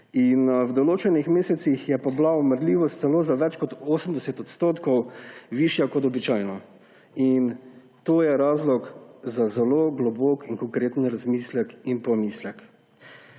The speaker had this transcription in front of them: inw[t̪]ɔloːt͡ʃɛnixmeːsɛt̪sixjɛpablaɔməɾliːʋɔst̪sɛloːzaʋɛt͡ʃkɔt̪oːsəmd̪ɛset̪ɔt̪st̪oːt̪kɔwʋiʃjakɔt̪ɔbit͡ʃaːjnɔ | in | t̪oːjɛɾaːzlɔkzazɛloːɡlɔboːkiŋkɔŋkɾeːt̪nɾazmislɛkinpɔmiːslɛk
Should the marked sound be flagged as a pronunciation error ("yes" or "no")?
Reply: yes